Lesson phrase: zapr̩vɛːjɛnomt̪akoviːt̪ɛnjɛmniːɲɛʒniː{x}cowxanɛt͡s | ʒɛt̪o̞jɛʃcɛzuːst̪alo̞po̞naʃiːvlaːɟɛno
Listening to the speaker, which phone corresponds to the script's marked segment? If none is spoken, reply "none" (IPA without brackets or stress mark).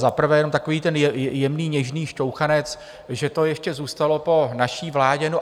ʃ